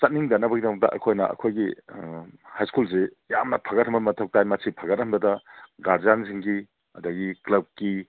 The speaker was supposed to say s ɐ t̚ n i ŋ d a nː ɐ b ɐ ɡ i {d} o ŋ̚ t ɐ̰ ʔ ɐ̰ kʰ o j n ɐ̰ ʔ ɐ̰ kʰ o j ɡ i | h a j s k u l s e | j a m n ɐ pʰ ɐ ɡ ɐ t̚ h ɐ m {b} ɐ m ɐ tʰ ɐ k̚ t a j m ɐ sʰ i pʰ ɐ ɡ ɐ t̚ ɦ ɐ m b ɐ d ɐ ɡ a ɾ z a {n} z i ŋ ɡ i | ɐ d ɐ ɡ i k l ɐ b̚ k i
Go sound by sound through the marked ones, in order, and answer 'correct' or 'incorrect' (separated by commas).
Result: correct, correct, correct